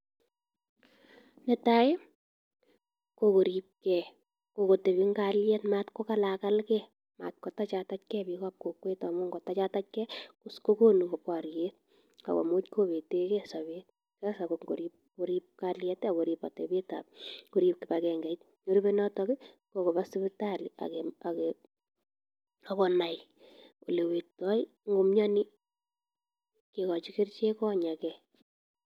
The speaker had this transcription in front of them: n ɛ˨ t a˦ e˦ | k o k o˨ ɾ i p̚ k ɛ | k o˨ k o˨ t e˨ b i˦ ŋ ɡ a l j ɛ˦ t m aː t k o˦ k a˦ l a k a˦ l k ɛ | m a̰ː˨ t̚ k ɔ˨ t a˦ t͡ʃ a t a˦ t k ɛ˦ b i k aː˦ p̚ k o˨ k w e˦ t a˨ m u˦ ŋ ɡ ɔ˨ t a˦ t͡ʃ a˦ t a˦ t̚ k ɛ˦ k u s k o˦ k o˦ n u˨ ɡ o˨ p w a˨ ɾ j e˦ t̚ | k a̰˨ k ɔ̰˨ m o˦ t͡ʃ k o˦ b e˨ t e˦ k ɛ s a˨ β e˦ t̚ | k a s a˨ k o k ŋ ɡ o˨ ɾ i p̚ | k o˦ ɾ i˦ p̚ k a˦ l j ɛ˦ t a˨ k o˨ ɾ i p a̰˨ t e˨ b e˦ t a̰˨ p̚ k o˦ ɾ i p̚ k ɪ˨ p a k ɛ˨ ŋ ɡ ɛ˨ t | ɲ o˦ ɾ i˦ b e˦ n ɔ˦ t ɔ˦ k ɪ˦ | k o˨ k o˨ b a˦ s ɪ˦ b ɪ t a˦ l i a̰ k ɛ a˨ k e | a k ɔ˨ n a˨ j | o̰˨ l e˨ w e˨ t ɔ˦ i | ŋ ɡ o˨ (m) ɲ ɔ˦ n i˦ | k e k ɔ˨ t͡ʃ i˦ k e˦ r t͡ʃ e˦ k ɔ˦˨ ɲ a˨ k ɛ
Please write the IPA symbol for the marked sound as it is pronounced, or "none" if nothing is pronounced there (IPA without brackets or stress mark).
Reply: m